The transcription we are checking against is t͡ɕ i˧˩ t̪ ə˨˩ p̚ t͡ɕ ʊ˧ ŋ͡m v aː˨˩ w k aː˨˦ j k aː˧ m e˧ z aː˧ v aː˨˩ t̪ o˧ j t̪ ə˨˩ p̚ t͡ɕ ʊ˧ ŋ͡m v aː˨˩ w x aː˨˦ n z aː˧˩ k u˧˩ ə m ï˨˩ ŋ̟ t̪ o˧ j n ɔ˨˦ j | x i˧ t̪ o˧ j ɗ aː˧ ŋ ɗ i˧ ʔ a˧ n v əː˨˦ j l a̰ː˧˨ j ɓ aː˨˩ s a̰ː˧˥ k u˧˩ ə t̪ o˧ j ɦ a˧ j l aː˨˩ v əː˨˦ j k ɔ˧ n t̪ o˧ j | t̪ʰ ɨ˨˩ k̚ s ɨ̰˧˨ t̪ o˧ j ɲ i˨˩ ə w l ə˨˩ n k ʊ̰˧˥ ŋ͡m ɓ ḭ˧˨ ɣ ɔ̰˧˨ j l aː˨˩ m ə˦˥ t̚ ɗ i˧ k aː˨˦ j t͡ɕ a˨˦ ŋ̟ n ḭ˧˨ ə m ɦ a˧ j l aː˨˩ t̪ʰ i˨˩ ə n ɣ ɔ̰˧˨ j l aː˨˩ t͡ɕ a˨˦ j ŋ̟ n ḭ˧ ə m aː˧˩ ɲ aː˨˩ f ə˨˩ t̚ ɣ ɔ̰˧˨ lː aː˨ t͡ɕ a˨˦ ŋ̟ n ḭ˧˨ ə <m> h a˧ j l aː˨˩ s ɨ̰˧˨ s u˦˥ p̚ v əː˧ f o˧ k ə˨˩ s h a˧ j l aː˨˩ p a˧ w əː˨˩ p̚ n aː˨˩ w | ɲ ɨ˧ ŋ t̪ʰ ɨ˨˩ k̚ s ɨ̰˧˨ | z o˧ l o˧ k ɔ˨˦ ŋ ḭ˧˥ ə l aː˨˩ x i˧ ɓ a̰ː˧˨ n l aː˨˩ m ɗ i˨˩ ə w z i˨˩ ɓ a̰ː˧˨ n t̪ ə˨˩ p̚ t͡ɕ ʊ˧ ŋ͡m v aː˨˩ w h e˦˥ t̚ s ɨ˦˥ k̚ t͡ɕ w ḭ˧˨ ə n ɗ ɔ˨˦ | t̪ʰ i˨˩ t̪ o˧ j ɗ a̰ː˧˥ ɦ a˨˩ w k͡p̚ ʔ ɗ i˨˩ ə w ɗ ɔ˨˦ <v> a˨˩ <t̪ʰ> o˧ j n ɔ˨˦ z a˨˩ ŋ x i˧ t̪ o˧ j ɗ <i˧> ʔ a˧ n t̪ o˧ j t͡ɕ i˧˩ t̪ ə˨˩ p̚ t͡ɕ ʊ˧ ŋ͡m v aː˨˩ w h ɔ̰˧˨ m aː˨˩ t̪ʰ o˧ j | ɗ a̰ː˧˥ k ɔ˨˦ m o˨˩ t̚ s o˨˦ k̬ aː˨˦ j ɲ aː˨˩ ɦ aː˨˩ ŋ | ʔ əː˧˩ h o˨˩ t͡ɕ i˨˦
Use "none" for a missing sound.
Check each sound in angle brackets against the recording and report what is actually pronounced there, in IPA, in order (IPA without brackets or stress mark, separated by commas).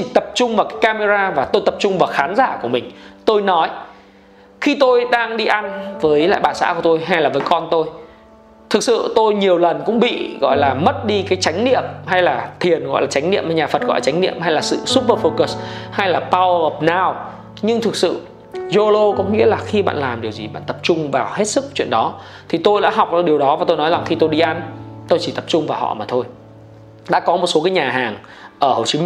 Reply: m, v, t̪, i˧